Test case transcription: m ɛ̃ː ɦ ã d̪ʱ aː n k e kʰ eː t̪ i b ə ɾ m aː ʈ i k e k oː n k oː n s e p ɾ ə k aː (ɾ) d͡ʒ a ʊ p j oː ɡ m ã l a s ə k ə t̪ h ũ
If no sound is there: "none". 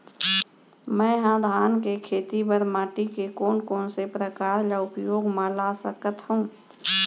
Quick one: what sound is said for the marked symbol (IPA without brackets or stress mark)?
ɾ